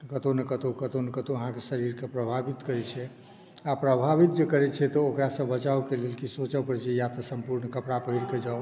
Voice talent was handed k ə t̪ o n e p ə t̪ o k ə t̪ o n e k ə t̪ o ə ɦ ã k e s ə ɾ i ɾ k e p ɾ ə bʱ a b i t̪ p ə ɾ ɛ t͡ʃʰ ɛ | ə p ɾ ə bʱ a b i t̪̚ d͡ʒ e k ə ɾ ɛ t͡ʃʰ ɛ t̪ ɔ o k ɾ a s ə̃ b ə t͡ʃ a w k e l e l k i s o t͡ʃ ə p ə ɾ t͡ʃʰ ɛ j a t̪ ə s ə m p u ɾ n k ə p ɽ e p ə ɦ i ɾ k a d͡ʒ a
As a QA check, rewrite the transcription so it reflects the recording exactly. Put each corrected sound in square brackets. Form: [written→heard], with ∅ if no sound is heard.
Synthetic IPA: k ə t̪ o n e [p→k] ə t̪ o k ə t̪ o n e k ə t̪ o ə ɦ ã k e s ə ɾ i ɾ k e p ɾ ə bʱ a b i t̪ [p→k] ə ɾ ɛ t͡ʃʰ ɛ | [ə→a] p ɾ ə bʱ a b i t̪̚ d͡ʒ e k ə ɾ ɛ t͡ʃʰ ɛ t̪ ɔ o k ɾ a s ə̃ b ə t͡ʃ a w k e l e l k i s o t͡ʃ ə p ə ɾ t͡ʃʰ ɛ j a t̪ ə s ə m p u ɾ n k ə p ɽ [e→a] p ə ɦ i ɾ k [a→e] d͡ʒ a